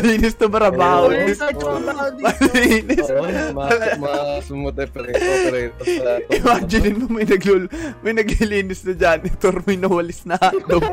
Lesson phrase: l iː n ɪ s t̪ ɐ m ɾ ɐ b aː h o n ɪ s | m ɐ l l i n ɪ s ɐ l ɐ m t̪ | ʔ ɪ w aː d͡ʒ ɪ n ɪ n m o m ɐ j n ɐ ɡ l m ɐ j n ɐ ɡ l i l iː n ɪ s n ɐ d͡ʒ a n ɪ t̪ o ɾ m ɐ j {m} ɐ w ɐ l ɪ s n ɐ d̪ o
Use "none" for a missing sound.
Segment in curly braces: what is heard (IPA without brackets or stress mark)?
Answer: n